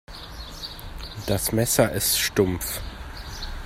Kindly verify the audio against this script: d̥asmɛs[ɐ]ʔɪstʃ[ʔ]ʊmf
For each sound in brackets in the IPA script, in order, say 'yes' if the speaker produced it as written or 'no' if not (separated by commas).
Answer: yes, no